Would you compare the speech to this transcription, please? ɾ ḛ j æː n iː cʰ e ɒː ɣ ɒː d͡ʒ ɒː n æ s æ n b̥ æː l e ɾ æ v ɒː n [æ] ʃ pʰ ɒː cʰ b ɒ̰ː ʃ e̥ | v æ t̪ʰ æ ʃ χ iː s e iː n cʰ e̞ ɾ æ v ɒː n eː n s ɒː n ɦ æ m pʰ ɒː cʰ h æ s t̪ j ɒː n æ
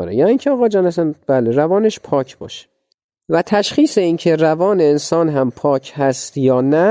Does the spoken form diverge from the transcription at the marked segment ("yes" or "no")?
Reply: yes